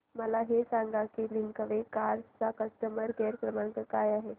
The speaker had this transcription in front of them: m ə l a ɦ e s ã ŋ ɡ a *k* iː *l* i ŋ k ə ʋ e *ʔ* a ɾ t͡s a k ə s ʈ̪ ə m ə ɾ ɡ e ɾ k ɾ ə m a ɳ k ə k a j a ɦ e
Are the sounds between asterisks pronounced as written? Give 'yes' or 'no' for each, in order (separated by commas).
yes, yes, no